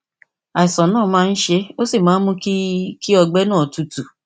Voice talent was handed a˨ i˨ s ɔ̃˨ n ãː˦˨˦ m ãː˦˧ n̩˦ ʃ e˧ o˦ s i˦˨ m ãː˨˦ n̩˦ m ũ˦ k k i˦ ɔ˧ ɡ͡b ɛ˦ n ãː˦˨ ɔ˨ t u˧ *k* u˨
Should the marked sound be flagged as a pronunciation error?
yes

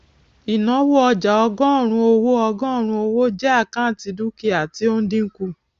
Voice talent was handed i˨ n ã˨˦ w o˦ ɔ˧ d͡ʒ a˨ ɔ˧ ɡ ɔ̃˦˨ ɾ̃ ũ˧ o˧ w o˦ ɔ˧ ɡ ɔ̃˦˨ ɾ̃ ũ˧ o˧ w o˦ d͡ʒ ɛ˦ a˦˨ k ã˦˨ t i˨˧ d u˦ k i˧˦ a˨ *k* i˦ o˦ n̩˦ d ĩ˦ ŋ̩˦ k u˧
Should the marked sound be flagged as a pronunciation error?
yes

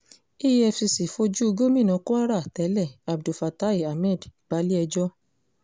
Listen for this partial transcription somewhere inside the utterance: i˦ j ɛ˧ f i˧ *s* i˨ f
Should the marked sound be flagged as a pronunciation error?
no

